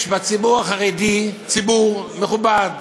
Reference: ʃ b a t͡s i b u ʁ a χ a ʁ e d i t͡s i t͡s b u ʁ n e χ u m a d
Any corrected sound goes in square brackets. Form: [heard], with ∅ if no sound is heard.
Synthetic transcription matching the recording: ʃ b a t͡s i b u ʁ a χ a ʁ e d i t͡s i [∅] b u ʁ [m] e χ u [b] a d